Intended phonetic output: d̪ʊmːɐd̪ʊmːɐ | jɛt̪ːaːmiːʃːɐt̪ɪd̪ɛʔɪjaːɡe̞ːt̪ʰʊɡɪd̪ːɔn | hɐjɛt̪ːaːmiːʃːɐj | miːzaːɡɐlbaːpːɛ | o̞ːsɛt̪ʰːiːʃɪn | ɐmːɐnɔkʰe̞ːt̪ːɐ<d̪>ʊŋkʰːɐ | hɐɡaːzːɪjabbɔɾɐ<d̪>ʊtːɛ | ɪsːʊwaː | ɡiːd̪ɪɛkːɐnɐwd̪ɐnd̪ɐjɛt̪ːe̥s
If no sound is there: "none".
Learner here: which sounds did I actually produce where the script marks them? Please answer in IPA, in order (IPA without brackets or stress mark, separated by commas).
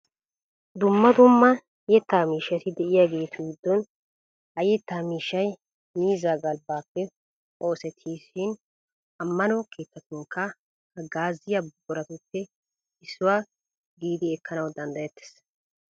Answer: t̪, t̪